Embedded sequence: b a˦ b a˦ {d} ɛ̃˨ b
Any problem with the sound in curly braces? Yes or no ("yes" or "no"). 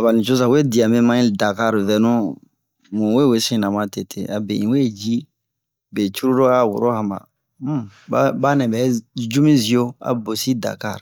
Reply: yes